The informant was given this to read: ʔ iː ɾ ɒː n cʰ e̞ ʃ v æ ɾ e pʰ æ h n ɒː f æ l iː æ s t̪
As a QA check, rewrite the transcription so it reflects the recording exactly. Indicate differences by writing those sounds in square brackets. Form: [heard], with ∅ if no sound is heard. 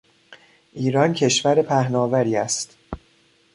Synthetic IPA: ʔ iː ɾ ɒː n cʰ e̞ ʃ v æ ɾ e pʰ æ h n ɒː [v] æ [ɾ] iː æ s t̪